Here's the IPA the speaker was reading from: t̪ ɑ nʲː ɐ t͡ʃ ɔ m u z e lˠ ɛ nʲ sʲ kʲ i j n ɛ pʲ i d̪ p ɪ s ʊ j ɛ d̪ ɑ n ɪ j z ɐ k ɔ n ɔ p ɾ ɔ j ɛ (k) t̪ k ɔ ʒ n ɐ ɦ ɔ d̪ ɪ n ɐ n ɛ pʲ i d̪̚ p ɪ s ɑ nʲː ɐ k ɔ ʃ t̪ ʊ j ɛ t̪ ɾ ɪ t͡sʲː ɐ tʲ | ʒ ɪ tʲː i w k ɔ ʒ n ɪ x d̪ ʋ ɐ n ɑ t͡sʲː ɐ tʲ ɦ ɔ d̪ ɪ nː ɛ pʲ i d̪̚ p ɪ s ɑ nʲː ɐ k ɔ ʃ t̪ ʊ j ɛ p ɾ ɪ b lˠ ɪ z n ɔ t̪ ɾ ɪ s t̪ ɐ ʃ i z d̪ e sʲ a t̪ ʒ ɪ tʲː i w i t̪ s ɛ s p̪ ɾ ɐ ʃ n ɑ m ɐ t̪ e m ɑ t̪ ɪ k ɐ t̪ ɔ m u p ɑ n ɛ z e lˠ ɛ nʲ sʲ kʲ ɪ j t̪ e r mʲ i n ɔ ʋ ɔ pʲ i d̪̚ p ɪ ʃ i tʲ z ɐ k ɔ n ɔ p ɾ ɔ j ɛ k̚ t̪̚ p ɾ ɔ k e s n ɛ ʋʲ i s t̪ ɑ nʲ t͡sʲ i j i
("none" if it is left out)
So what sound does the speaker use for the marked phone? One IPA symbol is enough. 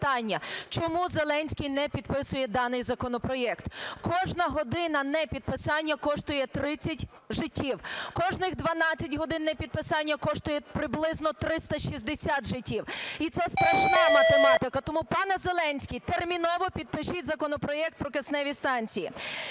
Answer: k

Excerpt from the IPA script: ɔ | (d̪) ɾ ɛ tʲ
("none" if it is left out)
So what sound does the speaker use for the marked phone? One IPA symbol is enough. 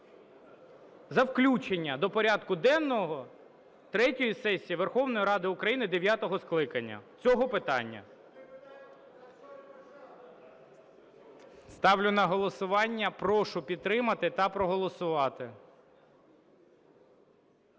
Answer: t̪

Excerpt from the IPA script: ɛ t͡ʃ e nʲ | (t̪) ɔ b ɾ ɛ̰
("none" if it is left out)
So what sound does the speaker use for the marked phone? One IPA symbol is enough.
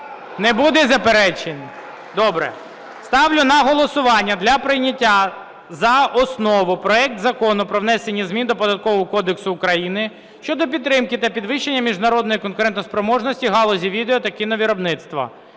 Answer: d̪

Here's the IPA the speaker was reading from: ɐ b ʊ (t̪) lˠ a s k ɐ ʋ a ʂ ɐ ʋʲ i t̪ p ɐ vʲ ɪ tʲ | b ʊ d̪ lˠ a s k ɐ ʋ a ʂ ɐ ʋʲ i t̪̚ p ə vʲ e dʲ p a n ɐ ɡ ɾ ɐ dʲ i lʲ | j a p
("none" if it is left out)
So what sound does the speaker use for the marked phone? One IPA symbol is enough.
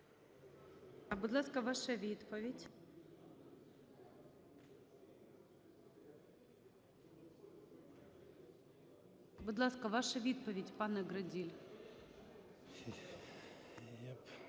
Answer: d̪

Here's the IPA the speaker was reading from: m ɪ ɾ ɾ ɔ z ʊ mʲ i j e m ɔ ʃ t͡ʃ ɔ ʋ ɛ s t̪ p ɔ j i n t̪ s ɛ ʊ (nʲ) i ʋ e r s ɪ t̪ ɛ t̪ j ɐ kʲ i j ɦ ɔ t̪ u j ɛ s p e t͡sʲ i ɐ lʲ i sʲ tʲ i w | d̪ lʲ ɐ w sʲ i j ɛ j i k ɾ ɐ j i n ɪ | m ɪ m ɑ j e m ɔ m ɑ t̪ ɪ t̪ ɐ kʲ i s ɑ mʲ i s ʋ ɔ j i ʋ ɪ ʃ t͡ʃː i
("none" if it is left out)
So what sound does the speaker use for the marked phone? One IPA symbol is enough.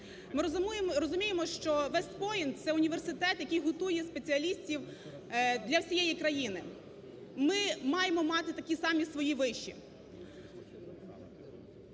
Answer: nʲ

